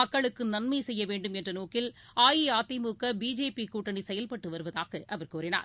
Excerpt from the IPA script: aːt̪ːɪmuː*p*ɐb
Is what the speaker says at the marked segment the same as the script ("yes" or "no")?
no